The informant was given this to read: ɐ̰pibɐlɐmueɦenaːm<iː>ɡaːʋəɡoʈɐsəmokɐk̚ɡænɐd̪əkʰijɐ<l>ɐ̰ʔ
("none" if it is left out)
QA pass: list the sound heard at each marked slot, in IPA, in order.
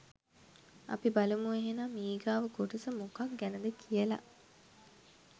iː, l

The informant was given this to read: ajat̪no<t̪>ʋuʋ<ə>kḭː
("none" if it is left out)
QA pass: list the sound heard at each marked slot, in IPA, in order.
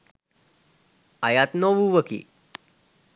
none, ə

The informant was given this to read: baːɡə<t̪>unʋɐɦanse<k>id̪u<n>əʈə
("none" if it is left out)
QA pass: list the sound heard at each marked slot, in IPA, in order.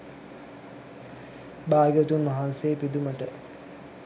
t̪, p, m

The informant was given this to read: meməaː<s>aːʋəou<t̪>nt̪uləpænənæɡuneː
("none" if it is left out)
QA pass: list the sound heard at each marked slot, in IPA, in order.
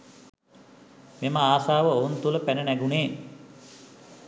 s, none

